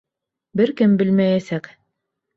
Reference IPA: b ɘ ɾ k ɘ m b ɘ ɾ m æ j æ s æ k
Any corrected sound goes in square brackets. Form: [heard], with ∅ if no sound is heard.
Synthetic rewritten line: b ɘ ɾ k ɘ m b ɘ [l] m æ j æ s æ k